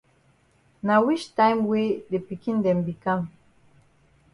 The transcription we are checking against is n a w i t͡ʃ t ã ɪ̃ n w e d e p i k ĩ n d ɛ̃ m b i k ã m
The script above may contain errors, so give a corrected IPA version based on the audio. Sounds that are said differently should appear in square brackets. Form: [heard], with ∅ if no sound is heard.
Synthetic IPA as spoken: n a w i t͡ʃ t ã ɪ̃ [m] w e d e p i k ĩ n d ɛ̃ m b i k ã m